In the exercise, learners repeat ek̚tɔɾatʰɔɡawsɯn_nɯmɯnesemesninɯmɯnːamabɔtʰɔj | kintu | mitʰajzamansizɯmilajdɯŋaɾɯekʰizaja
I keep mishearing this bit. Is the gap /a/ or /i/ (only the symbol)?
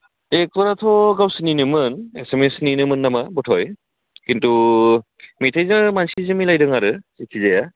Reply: i